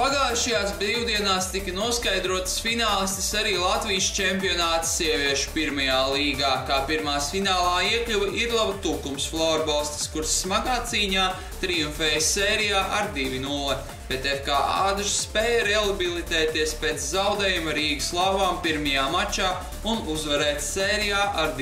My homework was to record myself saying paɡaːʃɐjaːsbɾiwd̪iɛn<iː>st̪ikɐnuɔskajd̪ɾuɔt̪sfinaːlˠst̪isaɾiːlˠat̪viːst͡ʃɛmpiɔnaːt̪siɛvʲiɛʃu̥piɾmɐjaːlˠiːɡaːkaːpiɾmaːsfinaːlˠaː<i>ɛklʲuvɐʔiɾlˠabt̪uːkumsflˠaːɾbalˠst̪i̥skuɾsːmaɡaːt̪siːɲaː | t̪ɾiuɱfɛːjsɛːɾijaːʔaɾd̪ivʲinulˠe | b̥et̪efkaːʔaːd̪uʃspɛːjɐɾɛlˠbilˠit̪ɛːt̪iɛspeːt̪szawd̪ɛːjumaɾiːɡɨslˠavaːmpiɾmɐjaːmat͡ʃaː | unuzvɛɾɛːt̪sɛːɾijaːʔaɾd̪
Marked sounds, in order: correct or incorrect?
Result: incorrect: aː, correct

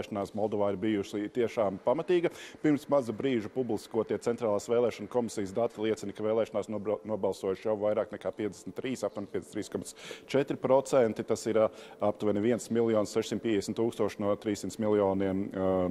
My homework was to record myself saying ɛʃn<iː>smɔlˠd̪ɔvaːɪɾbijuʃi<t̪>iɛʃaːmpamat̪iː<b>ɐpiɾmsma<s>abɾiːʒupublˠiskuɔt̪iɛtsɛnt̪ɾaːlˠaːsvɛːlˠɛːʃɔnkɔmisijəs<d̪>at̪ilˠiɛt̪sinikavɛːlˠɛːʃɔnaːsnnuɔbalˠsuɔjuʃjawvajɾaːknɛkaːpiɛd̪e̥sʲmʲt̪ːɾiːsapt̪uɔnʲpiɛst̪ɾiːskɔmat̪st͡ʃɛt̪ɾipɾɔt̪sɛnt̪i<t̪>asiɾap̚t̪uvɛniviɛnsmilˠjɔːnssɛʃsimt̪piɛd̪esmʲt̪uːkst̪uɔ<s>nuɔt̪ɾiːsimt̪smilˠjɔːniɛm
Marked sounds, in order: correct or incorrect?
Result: incorrect: aː, correct, incorrect: ɡ, incorrect: z, correct, correct, incorrect: ʃ

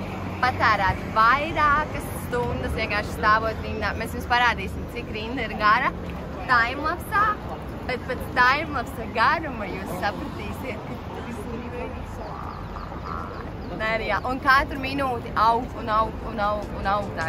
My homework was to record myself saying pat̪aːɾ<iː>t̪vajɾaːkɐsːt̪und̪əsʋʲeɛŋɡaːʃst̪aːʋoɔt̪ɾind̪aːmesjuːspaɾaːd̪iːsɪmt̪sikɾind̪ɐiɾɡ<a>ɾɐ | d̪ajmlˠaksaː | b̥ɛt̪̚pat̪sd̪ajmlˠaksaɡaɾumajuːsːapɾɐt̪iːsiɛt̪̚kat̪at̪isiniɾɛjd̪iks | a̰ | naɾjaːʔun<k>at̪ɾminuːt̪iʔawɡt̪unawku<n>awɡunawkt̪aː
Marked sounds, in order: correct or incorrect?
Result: incorrect: aː, correct, correct, correct

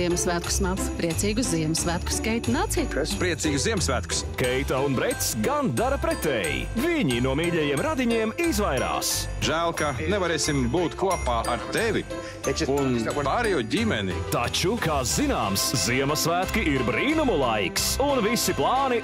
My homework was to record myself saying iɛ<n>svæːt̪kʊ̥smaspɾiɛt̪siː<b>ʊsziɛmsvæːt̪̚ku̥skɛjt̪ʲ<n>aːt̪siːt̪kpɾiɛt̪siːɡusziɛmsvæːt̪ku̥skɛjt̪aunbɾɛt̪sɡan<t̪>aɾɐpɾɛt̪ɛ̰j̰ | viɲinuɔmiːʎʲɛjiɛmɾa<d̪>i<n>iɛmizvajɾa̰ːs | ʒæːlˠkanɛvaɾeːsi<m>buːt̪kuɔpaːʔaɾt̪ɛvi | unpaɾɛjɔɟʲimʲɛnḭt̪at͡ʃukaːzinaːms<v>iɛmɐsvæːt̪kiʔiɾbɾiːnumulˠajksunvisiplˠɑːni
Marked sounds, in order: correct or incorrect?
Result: incorrect: m, incorrect: ɡ, correct, incorrect: d̪, correct, incorrect: ɲ, correct, incorrect: z

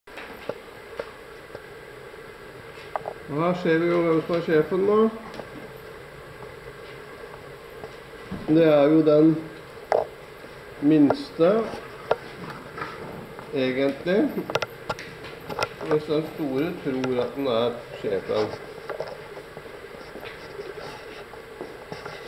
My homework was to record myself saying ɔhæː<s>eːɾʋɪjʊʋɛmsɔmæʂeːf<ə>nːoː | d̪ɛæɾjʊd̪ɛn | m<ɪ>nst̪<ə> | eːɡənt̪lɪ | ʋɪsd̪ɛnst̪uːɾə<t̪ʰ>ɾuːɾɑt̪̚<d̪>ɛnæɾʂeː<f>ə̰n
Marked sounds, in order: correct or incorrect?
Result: incorrect: ʂ, correct, correct, correct, correct, correct, correct

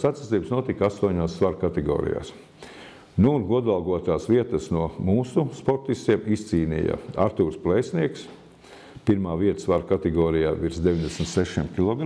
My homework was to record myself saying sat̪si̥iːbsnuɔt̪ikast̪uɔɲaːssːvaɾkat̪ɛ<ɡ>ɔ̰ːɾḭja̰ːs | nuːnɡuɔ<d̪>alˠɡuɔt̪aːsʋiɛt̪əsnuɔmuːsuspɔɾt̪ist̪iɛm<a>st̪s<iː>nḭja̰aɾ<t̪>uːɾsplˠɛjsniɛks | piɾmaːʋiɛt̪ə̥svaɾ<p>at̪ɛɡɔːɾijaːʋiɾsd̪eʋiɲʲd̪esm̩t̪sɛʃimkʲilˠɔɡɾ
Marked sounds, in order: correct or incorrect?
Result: correct, correct, incorrect: i, correct, correct, incorrect: k

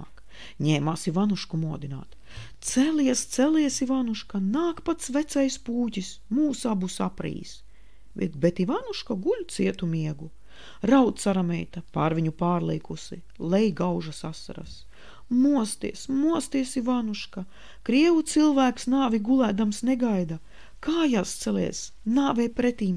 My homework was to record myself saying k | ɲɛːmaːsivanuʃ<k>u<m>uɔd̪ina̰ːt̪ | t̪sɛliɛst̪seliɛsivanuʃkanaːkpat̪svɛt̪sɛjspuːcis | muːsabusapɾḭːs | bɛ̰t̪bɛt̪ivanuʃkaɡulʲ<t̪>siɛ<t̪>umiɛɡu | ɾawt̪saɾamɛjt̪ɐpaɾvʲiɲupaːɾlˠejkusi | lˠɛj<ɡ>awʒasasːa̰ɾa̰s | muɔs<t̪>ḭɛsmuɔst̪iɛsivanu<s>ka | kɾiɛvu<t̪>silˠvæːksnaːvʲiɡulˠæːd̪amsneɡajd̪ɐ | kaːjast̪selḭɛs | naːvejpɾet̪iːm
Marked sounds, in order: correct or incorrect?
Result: correct, correct, correct, correct, correct, correct, incorrect: ʃ, correct

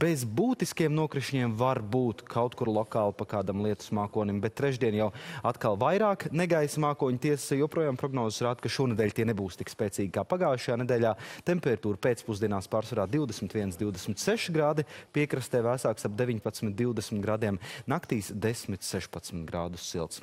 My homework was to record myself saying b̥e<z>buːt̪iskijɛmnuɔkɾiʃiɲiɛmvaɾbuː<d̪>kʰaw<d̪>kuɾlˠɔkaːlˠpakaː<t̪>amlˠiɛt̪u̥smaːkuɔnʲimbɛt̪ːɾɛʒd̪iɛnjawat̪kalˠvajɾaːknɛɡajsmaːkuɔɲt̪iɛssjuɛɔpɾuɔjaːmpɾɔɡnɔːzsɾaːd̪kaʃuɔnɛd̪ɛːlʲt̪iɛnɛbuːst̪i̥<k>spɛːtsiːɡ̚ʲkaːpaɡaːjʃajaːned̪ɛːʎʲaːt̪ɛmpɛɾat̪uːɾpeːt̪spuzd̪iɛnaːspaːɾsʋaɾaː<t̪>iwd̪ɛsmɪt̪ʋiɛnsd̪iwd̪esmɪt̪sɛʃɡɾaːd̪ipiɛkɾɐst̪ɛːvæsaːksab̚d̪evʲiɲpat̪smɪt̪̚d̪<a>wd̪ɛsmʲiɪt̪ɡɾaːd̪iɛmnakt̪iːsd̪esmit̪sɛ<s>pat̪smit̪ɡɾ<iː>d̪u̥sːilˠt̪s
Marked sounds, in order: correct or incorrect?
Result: correct, incorrect: t̪, incorrect: t̪, incorrect: d̪, correct, incorrect: d̪, incorrect: i, incorrect: ʃ, incorrect: aː

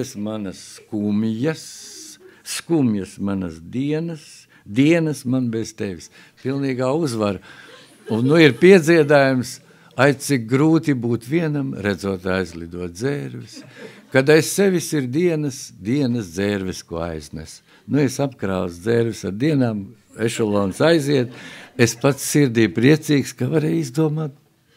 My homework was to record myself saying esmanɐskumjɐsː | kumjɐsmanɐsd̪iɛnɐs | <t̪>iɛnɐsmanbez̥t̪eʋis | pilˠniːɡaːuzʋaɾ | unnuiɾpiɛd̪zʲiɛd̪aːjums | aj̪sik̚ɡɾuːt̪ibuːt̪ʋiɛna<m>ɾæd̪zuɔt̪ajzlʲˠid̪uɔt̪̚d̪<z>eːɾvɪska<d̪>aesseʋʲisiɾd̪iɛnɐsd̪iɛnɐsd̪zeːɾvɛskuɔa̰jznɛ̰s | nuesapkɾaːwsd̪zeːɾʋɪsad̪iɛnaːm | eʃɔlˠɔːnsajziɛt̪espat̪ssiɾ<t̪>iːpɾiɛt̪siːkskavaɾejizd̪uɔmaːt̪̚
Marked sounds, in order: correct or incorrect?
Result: incorrect: d̪, correct, correct, correct, incorrect: d̪

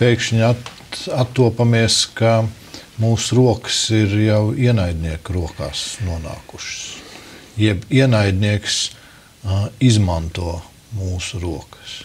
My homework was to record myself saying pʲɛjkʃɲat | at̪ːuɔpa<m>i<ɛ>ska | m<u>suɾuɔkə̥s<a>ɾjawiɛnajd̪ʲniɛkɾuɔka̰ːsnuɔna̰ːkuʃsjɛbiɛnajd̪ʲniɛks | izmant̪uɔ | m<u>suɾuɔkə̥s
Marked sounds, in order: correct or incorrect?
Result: correct, correct, incorrect: uː, incorrect: i, incorrect: uː

